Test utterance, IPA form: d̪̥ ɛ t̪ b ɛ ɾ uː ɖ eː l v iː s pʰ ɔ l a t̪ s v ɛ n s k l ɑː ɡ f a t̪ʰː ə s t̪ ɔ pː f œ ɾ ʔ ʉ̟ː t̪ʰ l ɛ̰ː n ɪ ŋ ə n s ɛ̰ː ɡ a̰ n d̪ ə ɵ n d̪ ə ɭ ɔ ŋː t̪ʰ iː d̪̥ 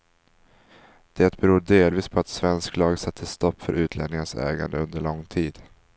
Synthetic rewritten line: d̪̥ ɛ t̪ b ɛ ɾ uː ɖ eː l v iː s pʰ ɔ a t̪ s v ɛ n s k l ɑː ɡ s a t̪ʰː ə s t̪ ɔ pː f œ ɾ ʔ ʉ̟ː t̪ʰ l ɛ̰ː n ɪ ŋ ə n s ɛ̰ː ɡ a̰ n d̪ ə ɵ n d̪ ə ɭ ɔ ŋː t̪ʰ iː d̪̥